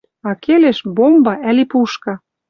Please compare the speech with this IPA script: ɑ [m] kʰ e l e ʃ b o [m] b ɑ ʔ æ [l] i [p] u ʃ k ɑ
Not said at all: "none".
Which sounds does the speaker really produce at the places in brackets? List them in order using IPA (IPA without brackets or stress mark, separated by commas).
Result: none, m, l, p